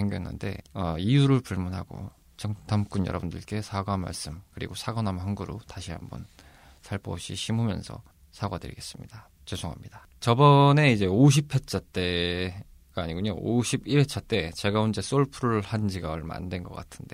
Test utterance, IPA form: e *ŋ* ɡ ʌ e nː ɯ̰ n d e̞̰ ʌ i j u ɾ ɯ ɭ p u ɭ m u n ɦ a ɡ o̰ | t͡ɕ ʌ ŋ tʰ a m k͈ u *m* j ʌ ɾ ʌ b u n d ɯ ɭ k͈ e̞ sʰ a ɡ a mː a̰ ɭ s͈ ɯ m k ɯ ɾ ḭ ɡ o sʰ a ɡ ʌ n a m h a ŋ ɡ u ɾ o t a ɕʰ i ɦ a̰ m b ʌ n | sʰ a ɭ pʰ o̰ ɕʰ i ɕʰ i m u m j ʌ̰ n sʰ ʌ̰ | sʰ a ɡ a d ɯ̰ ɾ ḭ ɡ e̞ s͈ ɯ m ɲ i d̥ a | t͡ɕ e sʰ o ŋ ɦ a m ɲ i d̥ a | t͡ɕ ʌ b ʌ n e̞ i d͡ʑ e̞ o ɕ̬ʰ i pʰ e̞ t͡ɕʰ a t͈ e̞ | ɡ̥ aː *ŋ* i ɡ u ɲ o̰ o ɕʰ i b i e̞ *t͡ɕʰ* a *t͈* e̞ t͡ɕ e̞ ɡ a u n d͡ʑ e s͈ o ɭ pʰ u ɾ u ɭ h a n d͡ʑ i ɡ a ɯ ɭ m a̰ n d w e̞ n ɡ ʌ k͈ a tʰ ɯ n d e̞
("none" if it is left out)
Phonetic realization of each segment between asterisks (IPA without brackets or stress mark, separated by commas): ŋ, n, ɲ, t͡ɕʰ, t͈